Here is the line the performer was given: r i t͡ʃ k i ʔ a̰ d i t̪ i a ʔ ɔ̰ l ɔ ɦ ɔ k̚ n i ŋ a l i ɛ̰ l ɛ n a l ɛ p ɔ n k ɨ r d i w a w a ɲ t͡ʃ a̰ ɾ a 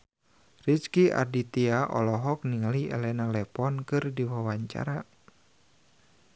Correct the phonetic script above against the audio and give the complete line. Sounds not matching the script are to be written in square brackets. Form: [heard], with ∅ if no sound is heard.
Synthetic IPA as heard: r i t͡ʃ k i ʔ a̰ d i t̪ i a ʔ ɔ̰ l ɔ ɦ ɔ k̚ n i ŋ a l i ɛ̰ l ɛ n a l ɛ p ɔ n k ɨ r d i w a w a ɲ t͡ʃ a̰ ɾ a